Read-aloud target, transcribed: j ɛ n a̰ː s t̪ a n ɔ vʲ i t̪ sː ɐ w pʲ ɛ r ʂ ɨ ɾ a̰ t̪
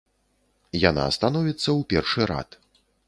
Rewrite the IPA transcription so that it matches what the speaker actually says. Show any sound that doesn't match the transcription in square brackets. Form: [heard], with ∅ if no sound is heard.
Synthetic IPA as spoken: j [a] n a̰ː s t̪ a n ɔ vʲ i t̪ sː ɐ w pʲ ɛ r ʂ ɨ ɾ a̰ t̪